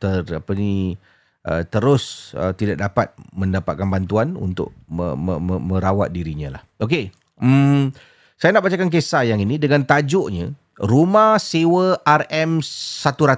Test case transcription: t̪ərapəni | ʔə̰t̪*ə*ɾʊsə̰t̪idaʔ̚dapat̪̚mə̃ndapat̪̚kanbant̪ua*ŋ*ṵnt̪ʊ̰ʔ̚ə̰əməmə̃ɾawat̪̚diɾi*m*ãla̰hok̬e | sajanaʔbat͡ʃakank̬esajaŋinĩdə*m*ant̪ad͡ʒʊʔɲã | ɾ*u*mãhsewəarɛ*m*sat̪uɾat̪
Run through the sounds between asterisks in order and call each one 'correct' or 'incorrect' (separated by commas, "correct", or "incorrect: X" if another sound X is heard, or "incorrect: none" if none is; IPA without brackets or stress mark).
correct, incorrect: n, incorrect: ɲ, incorrect: ŋ, correct, correct